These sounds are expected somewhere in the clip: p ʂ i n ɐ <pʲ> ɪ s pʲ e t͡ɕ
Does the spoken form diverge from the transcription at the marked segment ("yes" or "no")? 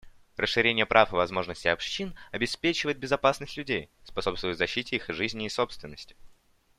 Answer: yes